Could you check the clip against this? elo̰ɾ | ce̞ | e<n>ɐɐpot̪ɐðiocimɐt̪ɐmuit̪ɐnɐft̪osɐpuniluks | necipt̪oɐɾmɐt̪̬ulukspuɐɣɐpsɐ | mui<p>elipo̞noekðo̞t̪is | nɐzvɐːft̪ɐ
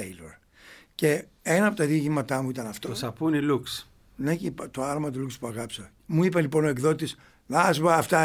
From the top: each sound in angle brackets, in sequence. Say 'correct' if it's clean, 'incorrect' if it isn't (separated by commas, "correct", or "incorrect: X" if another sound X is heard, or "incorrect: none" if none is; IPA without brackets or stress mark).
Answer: correct, correct